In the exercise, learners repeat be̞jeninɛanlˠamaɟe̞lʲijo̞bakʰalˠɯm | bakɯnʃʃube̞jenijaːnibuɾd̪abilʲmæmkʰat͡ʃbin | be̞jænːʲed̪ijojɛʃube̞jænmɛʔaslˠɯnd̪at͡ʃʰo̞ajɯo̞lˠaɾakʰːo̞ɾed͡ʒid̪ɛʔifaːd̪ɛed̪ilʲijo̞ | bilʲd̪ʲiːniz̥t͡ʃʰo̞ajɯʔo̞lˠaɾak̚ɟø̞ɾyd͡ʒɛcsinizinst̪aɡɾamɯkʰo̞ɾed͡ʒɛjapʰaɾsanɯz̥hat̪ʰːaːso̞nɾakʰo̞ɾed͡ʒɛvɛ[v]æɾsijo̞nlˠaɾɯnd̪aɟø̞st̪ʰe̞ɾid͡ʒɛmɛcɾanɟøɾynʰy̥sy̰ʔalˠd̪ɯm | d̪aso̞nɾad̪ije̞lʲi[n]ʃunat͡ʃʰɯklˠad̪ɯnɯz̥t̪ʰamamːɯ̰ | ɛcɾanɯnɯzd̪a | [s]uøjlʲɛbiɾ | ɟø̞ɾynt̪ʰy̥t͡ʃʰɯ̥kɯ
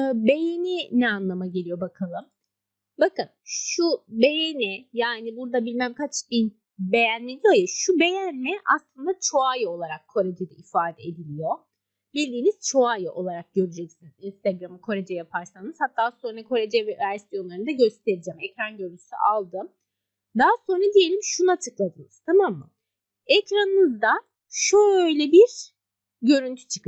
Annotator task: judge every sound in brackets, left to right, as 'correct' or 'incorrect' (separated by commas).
correct, incorrect, incorrect